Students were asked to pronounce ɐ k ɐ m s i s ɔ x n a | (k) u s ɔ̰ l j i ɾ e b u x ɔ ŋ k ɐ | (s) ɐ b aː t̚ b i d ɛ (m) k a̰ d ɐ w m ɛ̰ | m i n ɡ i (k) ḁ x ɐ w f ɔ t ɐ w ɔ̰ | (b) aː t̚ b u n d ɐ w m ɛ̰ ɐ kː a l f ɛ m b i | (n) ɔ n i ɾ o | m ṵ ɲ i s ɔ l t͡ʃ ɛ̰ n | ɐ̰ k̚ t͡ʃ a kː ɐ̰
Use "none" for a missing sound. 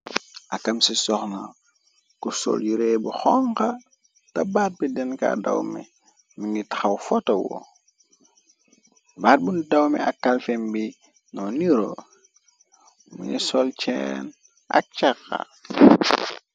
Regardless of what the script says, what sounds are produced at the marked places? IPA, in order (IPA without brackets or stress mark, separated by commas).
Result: k, t, n, t, b, n